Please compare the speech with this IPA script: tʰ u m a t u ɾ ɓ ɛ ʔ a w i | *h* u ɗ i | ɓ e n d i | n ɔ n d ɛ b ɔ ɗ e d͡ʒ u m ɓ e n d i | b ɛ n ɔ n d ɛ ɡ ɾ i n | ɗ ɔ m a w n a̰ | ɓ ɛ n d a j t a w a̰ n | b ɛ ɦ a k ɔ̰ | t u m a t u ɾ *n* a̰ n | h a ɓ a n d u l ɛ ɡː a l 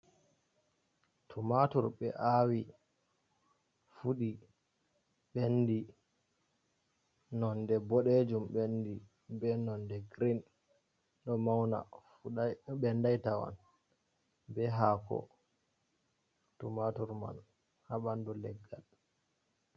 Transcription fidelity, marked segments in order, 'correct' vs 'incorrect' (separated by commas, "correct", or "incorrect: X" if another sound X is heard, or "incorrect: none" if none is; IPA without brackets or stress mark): incorrect: f, incorrect: m